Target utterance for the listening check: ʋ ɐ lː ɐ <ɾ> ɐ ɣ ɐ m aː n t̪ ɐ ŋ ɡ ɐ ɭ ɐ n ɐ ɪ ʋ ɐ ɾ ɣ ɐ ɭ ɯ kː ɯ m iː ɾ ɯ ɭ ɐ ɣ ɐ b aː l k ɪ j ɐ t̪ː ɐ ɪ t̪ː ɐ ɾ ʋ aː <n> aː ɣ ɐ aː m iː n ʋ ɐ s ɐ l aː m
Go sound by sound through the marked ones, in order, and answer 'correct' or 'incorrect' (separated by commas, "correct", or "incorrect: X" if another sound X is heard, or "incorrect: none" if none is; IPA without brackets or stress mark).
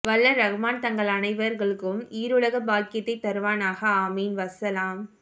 correct, correct